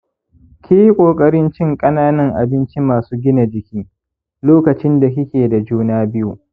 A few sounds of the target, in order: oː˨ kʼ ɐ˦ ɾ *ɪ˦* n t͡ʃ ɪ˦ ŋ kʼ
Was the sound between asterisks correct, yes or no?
yes